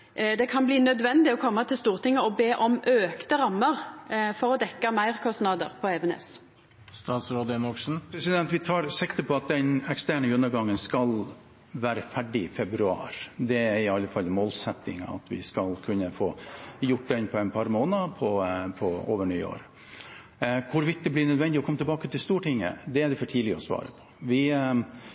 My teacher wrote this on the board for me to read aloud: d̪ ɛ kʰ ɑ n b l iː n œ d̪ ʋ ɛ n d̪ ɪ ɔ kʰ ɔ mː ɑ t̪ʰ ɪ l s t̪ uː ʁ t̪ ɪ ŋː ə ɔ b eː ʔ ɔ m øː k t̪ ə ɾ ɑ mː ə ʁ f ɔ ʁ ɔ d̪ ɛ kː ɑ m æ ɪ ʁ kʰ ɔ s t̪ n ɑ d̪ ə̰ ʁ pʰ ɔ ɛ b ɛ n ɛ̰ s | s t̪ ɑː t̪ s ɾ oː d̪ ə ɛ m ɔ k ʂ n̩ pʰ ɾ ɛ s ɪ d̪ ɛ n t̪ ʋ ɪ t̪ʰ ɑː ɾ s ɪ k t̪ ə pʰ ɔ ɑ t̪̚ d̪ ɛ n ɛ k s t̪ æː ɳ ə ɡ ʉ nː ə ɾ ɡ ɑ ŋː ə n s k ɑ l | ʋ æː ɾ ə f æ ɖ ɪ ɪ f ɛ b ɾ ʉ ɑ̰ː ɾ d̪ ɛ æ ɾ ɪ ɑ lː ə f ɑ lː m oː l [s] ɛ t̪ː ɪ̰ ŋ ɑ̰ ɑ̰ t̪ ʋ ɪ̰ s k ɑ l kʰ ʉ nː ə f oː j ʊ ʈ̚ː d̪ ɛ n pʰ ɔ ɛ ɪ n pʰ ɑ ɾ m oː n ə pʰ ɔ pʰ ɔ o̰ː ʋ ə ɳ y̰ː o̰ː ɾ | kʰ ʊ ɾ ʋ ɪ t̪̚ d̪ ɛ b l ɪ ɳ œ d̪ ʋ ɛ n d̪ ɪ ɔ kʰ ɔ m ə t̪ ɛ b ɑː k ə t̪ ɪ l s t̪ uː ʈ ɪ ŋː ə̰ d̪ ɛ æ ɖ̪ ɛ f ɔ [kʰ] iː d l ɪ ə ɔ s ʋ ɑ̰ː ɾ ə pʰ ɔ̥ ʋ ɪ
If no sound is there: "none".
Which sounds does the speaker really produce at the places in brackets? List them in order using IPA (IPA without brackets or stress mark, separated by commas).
s, ʈʰ